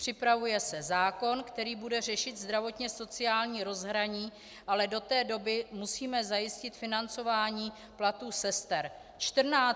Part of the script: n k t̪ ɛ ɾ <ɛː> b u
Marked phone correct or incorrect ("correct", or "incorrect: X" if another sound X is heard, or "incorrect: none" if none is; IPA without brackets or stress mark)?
incorrect: iː